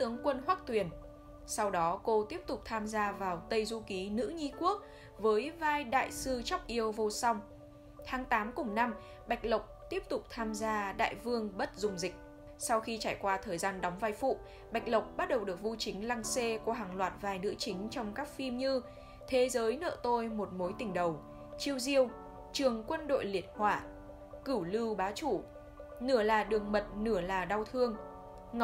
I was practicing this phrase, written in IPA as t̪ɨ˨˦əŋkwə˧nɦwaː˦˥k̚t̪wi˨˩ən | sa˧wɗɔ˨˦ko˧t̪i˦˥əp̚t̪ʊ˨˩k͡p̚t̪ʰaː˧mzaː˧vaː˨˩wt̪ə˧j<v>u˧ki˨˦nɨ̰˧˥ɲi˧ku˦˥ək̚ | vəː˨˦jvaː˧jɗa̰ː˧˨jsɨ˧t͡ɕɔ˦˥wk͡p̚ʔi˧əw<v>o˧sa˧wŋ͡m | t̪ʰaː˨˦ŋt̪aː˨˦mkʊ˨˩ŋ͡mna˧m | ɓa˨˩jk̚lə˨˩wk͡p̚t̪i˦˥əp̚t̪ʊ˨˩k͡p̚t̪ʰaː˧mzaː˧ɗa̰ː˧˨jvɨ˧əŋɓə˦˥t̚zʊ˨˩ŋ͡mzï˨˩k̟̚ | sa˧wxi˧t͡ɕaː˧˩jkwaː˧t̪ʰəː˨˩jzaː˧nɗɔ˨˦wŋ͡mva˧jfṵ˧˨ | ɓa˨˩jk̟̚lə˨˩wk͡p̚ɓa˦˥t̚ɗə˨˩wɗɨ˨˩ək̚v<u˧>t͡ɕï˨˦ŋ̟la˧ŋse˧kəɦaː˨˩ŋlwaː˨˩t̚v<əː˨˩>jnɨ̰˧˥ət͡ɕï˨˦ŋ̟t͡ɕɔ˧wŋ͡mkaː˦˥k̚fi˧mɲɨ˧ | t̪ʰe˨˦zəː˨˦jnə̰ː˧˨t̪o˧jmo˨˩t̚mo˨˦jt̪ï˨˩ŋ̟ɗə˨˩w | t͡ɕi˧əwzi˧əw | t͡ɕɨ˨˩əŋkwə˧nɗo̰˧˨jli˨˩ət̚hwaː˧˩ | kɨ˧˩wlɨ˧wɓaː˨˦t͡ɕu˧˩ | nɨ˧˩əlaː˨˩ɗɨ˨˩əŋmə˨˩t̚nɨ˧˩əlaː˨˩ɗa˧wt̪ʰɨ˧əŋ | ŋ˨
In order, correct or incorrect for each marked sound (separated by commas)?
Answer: incorrect, correct, correct, incorrect